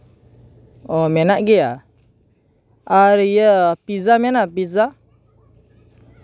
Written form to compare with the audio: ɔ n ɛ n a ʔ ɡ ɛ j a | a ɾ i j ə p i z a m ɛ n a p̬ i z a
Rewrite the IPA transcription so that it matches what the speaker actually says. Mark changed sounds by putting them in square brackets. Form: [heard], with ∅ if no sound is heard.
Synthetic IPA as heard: ɔ [m] ɛ n a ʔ ɡ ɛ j a | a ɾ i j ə p i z a m ɛ n a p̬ i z a